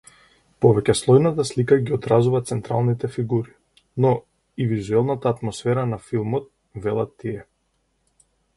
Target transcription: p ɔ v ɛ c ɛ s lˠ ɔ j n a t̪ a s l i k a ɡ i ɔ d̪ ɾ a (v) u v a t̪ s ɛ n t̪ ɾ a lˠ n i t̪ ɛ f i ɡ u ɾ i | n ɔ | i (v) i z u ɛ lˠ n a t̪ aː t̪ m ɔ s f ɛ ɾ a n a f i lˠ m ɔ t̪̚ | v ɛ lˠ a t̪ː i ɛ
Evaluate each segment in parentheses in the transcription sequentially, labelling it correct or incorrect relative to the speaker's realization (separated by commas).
incorrect, correct